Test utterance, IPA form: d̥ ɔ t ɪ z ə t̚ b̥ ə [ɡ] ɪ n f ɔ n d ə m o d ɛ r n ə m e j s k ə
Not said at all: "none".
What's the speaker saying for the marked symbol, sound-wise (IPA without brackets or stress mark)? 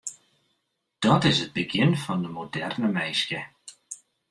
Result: ɡ